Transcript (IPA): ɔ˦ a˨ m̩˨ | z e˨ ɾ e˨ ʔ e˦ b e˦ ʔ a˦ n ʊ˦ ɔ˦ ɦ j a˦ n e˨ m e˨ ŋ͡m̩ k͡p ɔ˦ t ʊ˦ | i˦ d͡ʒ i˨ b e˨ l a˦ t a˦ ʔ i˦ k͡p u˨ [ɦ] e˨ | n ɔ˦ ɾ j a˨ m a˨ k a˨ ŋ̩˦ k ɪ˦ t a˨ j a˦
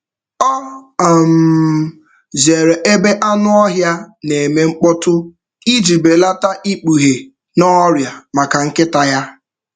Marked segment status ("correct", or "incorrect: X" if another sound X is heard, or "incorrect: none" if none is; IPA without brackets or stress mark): correct